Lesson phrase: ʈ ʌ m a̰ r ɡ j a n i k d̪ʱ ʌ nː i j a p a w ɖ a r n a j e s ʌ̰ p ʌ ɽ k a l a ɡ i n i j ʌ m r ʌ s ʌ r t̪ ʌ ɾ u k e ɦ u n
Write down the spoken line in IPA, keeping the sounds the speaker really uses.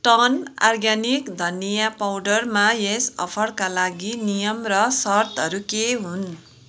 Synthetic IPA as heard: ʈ ʌ n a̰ r ɡ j a n i k d̪ʱ ʌ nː i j a p a w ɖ ʌ r m a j e s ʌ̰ pʰ ʌ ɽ k a l a ɡ i n i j ʌ m r ʌ s ʌ r t̪ ʌ ɾ u k e ɦ u n

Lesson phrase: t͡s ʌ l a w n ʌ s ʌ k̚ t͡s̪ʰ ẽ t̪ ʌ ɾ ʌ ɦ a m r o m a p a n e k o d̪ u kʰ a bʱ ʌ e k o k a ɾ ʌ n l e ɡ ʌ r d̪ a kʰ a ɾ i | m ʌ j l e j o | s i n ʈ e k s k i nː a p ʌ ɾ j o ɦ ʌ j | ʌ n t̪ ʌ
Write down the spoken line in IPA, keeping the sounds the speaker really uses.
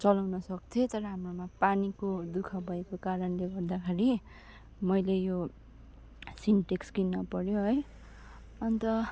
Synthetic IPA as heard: t͡s ʌ l a w n ʌ s ʌ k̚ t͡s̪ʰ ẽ t̪ ʌ ɾ ʌ ɦ a m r o m a p a n i k o d̪ u kʰ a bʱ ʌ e k o k a ɾ ʌ n l e ɡ ʌ r d̪ a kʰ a ɾ i | m ʌ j l e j o | s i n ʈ e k s k i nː ʌ p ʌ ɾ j o ɦ ʌ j | ʌ n t̪ ʌ

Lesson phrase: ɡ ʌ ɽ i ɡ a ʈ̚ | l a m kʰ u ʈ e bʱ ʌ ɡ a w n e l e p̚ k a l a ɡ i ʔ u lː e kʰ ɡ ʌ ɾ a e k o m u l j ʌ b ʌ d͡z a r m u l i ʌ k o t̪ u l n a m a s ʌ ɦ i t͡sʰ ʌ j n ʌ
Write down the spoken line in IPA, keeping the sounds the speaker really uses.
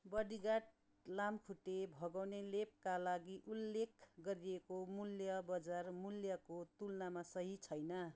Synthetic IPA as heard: b ʌ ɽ i ɡ a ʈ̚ | l a m kʰ u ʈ e bʱ ʌ ɡ a w n e l e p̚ k a l a ɡ i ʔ u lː e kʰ ɡ ʌ ɾ i e k o m u l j ʌ b ʌ d͡z a r m u l j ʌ k o t̪ u l n a m a s ʌ ɦ i t͡sʰ ʌ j n ʌ

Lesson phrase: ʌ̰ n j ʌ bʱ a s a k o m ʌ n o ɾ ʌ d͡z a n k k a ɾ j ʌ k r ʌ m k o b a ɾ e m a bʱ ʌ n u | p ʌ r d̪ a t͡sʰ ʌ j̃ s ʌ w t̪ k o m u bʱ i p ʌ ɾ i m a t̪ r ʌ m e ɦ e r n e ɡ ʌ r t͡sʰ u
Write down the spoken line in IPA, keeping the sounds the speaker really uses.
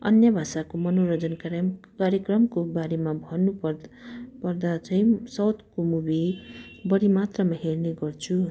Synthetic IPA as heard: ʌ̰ n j ʌ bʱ a s a k o m ʌ n o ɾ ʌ d͡z ʌ n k k a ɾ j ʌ k r ʌ m k o b a ɾ e m a bʱ ʌ n u | p ʌ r d̪ a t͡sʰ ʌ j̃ s ʌ w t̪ k o m u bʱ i b ʌ ɾ i m a t̪ r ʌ m a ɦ e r n e ɡ ʌ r t͡sʰ u

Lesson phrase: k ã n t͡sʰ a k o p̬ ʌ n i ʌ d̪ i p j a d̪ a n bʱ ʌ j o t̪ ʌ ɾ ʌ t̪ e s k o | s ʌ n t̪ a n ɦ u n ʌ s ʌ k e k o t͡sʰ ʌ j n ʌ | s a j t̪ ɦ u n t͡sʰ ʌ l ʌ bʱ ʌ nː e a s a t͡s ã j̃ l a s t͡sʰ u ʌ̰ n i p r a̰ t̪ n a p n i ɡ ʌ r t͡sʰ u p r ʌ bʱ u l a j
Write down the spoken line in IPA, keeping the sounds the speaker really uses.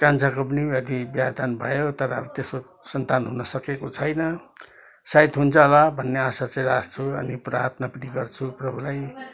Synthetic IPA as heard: k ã n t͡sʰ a k o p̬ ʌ n i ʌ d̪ i b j a d̪ a n bʱ ʌ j o t̪ ʌ ɾ ʌ t̪ e s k o | s ʌ n t̪ a n ɦ u n ʌ s ʌ k e k o t͡sʰ ʌ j n ʌ | s a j t̪ ɦ u n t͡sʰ ʌ l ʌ bʱ ʌ nː e a s a t͡s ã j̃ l a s t͡sʰ u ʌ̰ n i p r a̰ t̪ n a p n i ɡ ʌ r t͡sʰ u p r ʌ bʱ u l a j

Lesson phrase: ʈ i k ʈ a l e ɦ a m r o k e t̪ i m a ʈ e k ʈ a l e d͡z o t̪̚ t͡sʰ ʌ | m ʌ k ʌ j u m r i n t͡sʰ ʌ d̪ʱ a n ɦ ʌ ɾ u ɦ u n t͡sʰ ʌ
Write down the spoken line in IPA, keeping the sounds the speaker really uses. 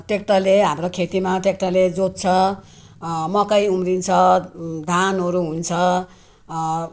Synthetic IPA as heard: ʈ e k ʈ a l e ɦ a m r o kʰ e t̪ i m a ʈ e k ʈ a l e d͡z o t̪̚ t͡sʰ ʌ | m ʌ k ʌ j u m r i n t͡sʰ ʌ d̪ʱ a n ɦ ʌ ɾ u ɦ u n t͡sʰ ʌ

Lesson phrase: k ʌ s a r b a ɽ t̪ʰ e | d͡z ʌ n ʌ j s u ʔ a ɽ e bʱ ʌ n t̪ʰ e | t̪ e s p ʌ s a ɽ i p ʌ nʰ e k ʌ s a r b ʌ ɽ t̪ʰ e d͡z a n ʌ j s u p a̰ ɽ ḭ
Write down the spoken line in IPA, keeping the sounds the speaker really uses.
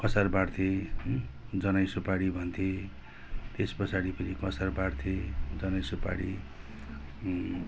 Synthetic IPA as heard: k ʌ s a r b a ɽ t̪ʰ e | d͡z ʌ n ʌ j s u p a ɽ i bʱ ʌ n t̪ʰ e | t̪ e s p ʌ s a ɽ i p ʌ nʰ i k ʌ s a r b a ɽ t̪ʰ e d͡z ʌ n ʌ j s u p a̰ ɽ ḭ

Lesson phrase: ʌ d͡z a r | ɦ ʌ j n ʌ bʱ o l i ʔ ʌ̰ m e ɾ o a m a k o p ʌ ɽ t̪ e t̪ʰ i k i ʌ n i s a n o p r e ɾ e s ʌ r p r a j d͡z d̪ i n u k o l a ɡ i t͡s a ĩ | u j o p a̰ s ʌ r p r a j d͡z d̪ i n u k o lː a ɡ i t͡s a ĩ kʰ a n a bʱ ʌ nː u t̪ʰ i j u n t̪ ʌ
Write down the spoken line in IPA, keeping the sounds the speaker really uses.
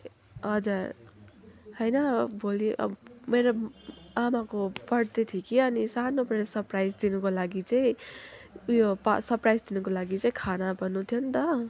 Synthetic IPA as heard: ʌ d͡z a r | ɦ ʌ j n ʌ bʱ o l i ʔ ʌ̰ m e ɾ o a m a k o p ʌ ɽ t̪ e t̪ʰ i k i ʌ n i s a n o p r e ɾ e s ʌ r p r a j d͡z d̪ i n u k o l a ɡ i t͡s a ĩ | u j o p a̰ s ʌ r p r a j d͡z d̪ i n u k o l a ɡ i t͡s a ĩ kʰ a n a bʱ ʌ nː u t̪ʰ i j o n t̪ ʌ

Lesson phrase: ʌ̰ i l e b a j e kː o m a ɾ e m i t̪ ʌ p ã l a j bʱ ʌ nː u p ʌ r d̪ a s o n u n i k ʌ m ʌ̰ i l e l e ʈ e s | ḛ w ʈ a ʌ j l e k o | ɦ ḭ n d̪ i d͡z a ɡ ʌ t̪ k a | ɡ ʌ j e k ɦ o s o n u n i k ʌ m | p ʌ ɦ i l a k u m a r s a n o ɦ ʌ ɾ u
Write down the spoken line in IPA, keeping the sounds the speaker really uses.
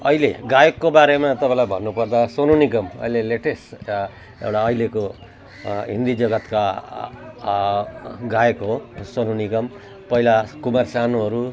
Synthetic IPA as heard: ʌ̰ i l e ɡ a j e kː o b a ɾ e m a t̪ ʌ p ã l a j bʱ ʌ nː u p ʌ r d̪ a s o n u n i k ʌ m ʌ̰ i l e l e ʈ e s | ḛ w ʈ a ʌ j l e k o | ɦ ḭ n d̪ i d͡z ʌ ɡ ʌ t̪ k a | ɡ a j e k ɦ o s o n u n i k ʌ m | p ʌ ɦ i l a k u m a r s a n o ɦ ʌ ɾ u

